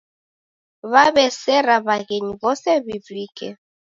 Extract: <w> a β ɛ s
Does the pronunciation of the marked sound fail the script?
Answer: yes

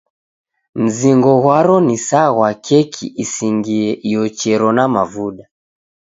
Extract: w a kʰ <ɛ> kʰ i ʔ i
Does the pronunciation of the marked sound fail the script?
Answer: no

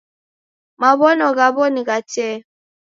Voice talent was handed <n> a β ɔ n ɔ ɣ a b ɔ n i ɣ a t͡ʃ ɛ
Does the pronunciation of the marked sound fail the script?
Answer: yes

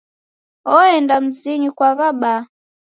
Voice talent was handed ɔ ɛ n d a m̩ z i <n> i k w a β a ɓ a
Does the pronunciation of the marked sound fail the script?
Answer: yes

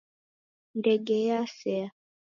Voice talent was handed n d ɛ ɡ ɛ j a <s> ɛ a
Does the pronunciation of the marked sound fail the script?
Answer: no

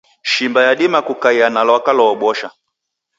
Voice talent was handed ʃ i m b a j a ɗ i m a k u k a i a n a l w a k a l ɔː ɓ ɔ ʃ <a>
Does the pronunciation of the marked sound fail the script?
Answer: no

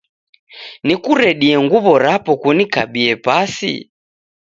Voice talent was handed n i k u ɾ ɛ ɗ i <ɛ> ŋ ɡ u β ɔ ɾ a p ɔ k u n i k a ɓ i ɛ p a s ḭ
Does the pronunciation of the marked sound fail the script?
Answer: no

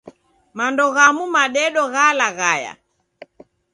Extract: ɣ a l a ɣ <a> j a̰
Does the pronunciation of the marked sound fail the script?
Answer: no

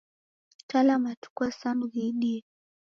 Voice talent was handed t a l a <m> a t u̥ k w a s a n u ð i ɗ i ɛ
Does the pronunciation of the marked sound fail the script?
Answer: no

